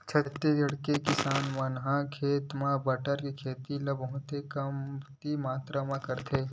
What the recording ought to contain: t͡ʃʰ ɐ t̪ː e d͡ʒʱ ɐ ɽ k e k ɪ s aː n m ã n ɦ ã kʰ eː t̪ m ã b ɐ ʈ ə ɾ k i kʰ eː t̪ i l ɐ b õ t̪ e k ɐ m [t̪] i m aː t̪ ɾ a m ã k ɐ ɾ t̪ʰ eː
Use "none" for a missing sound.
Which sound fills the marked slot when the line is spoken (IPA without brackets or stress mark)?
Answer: t̪